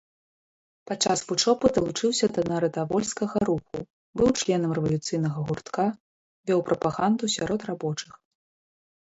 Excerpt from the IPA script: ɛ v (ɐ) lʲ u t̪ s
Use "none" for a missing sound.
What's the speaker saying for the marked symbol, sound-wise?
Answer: ɐ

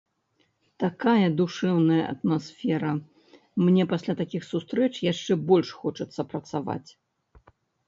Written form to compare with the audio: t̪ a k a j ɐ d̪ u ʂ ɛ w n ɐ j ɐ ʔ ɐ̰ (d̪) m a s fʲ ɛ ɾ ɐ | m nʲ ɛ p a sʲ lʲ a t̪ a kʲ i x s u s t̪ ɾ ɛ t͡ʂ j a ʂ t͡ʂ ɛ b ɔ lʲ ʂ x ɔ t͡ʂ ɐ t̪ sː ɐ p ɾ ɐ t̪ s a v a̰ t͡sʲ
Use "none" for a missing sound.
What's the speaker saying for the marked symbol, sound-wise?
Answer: t̪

